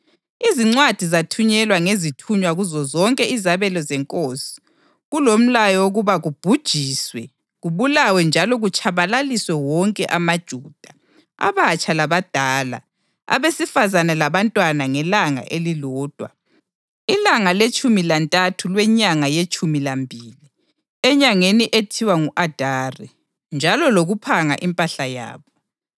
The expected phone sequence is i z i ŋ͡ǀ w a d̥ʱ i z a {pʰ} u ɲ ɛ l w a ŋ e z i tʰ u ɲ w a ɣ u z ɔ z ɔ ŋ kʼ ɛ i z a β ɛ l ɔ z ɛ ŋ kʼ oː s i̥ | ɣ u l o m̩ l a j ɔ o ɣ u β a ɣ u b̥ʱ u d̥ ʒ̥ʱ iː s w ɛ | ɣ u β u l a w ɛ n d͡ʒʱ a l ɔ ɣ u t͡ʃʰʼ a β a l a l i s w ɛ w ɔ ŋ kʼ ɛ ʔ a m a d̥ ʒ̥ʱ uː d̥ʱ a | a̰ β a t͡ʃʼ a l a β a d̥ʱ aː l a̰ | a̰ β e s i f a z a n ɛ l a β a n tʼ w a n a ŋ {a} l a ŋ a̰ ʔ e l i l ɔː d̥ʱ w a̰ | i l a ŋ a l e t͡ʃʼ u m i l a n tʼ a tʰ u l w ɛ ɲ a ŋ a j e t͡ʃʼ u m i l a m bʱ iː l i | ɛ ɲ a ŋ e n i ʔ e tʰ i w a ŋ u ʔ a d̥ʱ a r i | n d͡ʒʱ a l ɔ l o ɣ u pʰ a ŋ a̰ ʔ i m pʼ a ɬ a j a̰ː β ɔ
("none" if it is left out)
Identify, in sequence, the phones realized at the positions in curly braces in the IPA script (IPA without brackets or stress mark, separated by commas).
tʰ, ɛ